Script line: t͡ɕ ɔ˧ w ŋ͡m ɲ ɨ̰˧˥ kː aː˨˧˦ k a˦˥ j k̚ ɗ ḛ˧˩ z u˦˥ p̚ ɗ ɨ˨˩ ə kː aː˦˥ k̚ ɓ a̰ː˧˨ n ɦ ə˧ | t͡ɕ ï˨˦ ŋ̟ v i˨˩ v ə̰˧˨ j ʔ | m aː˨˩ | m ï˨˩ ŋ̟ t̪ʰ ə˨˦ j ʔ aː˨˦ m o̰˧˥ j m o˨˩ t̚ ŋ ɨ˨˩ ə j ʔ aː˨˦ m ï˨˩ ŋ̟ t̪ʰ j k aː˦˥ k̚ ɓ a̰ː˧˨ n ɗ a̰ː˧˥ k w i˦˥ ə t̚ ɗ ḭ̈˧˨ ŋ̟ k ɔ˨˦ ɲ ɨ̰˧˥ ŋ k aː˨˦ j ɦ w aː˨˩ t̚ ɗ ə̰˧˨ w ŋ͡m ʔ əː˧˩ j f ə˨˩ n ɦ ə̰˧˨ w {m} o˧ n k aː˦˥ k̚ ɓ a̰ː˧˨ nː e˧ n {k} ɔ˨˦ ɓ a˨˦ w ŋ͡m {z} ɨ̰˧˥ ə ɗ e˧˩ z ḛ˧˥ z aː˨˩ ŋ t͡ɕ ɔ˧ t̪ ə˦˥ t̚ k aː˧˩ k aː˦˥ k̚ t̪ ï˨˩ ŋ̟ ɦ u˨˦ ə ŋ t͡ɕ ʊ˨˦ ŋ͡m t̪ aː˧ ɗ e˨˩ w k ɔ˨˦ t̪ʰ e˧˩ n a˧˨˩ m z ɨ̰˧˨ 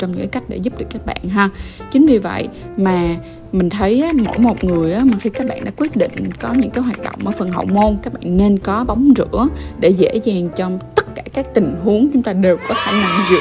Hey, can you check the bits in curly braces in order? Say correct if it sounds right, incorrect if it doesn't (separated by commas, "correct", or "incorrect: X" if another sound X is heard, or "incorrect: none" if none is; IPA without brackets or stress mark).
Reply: correct, correct, correct